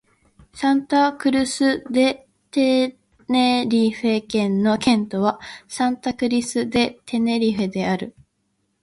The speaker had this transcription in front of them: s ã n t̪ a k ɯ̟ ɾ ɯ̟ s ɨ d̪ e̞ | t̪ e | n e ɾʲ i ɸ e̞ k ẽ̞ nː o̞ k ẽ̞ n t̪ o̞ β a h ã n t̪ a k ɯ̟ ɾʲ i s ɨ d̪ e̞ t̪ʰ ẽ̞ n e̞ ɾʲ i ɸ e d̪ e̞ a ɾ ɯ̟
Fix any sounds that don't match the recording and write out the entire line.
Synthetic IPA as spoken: s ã n t̪ a k ɯ̟ ɾ ɯ̟ s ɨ d̪ e̞ | t̪ e | n e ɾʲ i ɸ e̞ k ẽ̞ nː o̞ k ẽ̞ n t̪ o̞ β a s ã n t̪ a k ɯ̟ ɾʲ i s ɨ d̪ e̞ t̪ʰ e̞ n e̞ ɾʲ i ɸ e d̪ e̞ a ɾ ɯ̟